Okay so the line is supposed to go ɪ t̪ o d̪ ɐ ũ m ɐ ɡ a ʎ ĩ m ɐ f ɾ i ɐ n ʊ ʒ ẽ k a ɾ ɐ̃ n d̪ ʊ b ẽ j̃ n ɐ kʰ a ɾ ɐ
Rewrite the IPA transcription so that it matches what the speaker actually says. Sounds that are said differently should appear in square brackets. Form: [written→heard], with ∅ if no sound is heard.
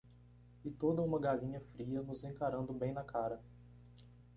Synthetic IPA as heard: ɪ t̪ o d̪ ɐ ũ m ɐ ɡ a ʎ ĩ [m→ɲ] ɐ f ɾ i ɐ n ʊ [ʒ→z] ẽ k a ɾ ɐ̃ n d̪ ʊ b ẽ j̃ n ɐ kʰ a ɾ ɐ